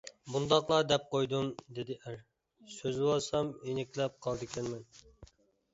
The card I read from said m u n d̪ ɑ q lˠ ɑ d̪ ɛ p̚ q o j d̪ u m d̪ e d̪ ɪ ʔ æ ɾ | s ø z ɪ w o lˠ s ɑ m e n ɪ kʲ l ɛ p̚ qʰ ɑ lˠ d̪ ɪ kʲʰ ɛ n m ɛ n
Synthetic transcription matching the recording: b u n d̪ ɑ q lˠ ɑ d̪ ɛ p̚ q o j d̪ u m d̪ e d̪ ɪ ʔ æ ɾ | s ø z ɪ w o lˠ s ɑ m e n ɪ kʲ l ɛ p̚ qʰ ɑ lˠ d̪ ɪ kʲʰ ɛ n m ɛ n